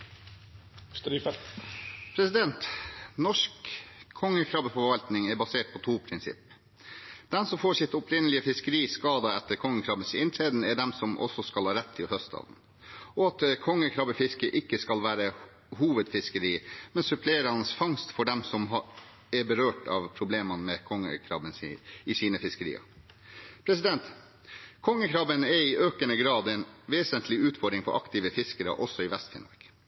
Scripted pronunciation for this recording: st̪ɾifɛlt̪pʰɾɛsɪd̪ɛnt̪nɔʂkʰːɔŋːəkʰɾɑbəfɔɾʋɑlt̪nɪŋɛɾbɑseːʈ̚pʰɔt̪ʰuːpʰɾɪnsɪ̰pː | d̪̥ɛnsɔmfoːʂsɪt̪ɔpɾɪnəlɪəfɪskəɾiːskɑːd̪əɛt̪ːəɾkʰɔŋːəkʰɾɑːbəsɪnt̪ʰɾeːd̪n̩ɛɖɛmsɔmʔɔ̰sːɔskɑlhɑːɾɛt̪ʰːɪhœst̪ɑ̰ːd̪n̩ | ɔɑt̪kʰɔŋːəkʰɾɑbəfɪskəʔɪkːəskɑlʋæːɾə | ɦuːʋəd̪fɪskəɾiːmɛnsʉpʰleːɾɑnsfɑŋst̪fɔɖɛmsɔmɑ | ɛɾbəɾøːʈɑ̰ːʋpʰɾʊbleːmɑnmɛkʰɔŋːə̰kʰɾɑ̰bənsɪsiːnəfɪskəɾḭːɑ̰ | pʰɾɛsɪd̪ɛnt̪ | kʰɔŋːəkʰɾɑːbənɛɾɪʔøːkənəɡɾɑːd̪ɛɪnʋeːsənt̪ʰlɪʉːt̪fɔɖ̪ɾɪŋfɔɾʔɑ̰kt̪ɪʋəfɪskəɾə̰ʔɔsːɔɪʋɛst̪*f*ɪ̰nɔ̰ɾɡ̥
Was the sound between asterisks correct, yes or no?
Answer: yes